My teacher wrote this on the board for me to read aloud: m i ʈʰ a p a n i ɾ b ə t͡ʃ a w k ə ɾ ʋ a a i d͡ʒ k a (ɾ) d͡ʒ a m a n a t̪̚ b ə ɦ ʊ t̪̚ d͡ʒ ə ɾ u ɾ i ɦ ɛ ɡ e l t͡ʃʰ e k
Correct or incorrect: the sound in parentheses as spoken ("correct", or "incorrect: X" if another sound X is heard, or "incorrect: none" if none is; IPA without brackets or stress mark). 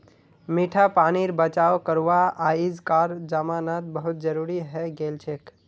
correct